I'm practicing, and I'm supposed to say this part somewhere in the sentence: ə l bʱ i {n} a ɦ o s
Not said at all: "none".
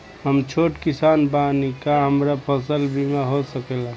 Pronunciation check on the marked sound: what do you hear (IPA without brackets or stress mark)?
m